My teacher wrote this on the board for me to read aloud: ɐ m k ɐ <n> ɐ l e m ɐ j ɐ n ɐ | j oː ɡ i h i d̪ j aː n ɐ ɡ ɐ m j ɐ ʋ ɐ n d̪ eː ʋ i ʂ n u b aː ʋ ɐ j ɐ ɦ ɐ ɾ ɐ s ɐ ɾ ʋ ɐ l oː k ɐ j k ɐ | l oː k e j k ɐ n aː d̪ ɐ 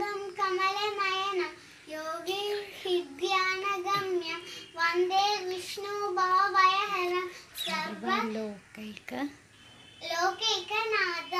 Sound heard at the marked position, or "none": m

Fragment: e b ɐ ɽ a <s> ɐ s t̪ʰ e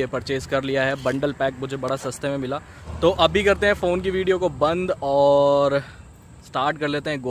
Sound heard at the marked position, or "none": s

